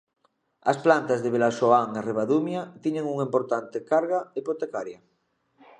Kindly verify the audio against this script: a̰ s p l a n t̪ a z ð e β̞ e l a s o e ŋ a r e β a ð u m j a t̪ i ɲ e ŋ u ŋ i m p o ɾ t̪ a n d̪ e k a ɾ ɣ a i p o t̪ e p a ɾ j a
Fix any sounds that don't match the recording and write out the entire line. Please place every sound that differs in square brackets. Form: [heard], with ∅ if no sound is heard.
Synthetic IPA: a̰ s p l a n t̪ a z ð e β̞ e l a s o [a] ŋ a r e β a ð u m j a t̪ i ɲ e ŋ u ŋ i m p o ɾ t̪ a n [t̪] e k a ɾ ɣ a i p o t̪ e [k] a ɾ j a